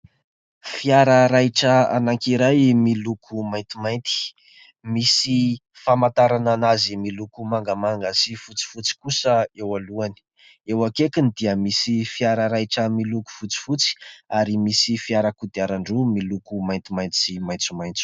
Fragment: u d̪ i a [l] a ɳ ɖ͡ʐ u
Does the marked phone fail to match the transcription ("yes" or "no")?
yes